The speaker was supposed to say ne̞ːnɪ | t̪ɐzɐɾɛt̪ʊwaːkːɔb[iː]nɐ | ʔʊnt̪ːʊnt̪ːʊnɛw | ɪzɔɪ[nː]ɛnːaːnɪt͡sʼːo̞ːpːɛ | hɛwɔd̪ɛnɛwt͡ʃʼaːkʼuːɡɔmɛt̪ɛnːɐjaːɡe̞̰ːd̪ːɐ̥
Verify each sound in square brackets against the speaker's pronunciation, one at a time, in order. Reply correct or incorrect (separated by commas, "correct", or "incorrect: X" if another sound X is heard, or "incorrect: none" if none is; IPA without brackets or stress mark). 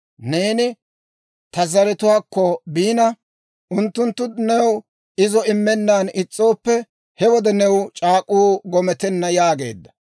correct, incorrect: mː